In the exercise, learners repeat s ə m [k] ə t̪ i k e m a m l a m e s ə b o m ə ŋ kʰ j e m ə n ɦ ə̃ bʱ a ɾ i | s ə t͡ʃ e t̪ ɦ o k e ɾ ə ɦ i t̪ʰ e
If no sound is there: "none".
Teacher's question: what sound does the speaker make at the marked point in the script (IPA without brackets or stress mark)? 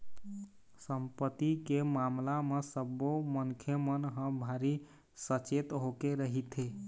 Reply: p